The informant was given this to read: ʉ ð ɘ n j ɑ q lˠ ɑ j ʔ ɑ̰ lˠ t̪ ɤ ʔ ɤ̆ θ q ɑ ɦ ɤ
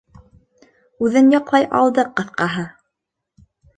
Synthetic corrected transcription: ʉ ð ɘ n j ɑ q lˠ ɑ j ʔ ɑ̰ lˠ d̪ ɤ q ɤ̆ θ q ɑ ɦ ɤ

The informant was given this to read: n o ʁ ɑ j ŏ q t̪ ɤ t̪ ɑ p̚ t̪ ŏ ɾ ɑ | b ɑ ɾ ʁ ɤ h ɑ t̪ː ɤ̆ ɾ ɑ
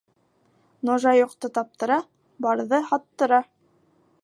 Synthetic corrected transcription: n o ʒ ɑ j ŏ q t̪ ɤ t̪ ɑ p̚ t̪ ɤ̆ ɾ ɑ | b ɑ ɾ ð ɤ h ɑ t̪ː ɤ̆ ɾ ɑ

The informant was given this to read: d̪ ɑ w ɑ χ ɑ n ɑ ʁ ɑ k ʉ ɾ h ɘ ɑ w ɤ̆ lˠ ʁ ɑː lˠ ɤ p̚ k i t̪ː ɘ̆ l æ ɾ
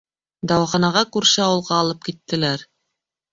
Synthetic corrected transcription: d̪ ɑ w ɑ χ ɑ n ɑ ʁ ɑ k ʉ ɾ ʃ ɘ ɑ w ɤ̆ lˠ ʁ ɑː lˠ ɤ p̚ k i t̪ː ɘ̆ l æ ɾ

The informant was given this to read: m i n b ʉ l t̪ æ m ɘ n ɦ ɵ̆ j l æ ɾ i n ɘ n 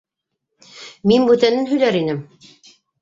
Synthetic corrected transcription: m i n b ʉ t̪ æ n ɘ n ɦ ɵ̆ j l æ ɾ i n ɘ m

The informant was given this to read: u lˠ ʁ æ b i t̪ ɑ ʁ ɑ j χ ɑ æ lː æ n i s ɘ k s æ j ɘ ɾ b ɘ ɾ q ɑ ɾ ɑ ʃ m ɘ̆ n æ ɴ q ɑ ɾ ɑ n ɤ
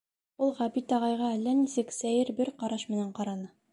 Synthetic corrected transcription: u lˠ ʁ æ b i t̪ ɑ ʁ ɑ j ʁ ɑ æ lː æ n i s ɘ k s æ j ɘ ɾ b ɘ ɾ q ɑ ɾ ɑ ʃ m ɘ̆ n æ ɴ q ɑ ɾ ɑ n ɤ

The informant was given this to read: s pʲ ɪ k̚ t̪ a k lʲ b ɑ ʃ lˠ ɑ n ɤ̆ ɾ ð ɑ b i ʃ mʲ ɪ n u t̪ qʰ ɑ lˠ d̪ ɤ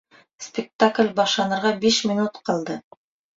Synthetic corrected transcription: s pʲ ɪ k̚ t̪ a k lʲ b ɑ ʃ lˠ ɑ n ɤ̆ ɾ ʁ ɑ b i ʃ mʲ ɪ n u t̪ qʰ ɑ lˠ d̪ ɤ

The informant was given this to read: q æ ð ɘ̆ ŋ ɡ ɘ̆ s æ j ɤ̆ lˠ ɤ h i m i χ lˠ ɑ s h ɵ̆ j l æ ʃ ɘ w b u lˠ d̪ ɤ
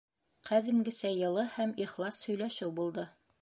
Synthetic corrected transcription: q æ ð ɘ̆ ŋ ɡ ɘ̆ s æ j ɤ̆ lˠ ɤ h æ m i χ lˠ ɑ s h ɵ̆ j l æ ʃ ɘ w b u lˠ d̪ ɤ

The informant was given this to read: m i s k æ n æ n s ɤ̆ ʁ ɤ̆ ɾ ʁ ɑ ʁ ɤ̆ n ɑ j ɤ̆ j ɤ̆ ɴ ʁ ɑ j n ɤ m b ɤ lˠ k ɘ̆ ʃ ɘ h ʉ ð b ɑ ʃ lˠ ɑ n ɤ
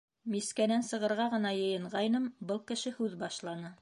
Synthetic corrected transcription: m i s k æ n æ n s ɤ̆ ʁ ɤ̆ ɾ ʁ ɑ ʁ ɤ̆ n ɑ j ɤ̆ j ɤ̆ ɴ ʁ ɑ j n ɤ m b ɤ lˠ k ɘ̆ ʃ ɘ h ʉ ð b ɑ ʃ lˠ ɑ n ɤ

